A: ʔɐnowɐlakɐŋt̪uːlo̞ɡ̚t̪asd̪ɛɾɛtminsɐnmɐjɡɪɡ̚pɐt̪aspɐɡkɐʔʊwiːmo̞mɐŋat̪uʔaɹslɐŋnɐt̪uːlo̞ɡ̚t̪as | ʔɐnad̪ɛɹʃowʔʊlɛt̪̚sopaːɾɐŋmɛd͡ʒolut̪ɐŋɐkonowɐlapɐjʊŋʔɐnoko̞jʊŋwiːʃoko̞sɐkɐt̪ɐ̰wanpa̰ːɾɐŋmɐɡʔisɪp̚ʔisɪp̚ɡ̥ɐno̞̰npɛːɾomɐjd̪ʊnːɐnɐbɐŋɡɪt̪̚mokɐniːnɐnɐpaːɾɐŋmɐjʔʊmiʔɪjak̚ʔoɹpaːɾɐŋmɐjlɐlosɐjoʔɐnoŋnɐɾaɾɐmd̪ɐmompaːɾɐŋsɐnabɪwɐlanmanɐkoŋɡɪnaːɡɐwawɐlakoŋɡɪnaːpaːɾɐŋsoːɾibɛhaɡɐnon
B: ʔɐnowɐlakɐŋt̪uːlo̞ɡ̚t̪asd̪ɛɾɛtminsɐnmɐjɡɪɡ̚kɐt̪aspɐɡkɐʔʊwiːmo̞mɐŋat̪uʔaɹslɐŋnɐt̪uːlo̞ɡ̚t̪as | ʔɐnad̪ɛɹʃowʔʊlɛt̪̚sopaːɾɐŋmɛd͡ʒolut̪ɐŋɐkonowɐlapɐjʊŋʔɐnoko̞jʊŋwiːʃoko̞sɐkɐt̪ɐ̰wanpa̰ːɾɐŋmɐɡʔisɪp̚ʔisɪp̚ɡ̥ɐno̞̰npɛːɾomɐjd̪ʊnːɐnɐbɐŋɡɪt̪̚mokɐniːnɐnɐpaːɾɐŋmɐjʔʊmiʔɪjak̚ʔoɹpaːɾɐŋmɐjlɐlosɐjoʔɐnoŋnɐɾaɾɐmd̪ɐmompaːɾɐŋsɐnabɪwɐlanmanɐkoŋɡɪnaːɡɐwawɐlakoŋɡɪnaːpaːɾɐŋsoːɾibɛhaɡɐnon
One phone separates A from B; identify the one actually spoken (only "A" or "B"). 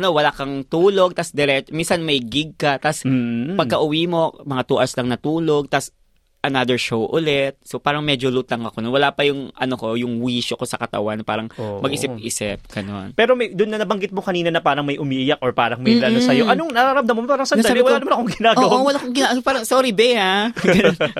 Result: B